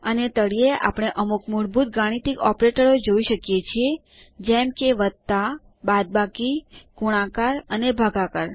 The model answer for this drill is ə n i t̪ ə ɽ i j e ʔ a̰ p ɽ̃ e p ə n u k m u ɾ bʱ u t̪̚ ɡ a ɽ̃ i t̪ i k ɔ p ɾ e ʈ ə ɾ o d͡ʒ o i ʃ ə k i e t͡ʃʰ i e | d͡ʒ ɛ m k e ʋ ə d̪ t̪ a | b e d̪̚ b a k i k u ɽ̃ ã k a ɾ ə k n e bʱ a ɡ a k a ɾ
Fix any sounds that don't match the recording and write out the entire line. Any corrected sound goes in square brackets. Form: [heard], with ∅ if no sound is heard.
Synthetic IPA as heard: ə n [e] t̪ ə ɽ i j e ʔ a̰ p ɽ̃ e [ʔ] ə [m] u k m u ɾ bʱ u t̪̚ ɡ a ɽ̃ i t̪ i k ɔ p ɾ e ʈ ə ɾ o d͡ʒ o i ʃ ə k [j] e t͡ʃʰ i e | d͡ʒ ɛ m k e ʋ ə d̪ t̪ a | b [a] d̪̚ b a k i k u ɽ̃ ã k a ɾ ə [∅] n e bʱ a ɡ a k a ɾ